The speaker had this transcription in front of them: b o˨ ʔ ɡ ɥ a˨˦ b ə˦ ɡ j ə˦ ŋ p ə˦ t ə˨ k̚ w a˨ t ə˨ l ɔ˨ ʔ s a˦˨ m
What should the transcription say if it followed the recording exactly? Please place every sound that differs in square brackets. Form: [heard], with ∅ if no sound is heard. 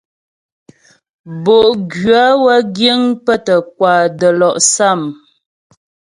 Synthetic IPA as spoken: b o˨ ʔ ɡ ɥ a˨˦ [w] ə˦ ɡ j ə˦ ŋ p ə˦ t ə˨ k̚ w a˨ [d] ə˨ l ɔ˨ ʔ s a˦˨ m